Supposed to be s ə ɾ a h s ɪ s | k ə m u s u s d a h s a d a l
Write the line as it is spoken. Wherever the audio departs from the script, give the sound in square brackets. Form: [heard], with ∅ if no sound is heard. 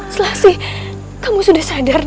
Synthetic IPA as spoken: s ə [l] a h s ɪ [h] | k [a] m u s u [∅] d a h s a d a [r]